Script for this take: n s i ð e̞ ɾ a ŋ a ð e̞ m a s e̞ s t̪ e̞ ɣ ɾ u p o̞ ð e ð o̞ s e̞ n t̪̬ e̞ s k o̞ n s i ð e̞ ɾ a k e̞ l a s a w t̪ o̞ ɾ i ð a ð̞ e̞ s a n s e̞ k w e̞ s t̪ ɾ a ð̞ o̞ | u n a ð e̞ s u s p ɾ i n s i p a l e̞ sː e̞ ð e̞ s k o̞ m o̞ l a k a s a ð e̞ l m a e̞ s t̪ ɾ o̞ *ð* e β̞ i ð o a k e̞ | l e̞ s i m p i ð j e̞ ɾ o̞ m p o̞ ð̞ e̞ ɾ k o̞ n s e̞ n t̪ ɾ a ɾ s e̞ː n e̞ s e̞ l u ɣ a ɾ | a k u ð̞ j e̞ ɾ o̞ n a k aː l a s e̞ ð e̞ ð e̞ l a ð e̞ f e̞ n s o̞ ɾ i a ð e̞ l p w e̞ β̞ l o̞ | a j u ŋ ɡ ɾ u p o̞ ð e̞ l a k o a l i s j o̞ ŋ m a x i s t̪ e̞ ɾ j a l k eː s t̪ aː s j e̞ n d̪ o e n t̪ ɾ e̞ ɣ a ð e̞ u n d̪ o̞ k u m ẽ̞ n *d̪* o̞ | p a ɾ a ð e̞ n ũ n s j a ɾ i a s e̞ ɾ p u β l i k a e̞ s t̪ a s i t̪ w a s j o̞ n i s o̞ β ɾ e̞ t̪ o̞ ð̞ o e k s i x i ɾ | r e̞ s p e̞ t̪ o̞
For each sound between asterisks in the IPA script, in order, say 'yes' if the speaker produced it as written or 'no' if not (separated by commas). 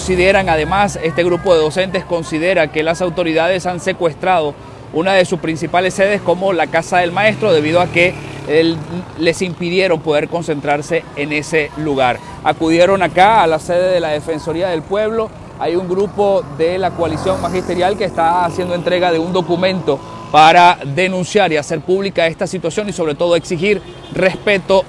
yes, no